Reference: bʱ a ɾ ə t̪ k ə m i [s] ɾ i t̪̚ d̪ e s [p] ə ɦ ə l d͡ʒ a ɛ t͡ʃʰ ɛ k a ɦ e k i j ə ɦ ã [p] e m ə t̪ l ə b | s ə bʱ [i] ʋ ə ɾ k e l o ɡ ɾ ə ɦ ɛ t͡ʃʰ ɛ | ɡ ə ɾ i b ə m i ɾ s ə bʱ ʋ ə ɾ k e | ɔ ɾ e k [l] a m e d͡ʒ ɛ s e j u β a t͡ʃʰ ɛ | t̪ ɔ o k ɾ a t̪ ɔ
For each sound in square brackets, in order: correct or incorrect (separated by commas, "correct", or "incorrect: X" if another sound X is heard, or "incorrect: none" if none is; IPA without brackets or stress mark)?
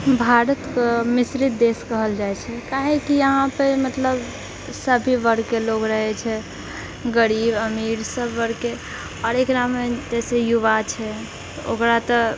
correct, incorrect: k, correct, correct, incorrect: ɾ